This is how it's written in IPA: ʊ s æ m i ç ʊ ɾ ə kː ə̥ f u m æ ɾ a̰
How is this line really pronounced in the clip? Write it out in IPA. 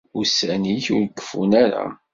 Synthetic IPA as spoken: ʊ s æ n i ç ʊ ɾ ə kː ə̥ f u n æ ɾ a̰